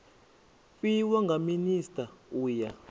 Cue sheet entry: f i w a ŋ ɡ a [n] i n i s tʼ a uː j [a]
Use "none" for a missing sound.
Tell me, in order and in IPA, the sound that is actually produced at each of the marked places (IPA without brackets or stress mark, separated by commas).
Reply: m, a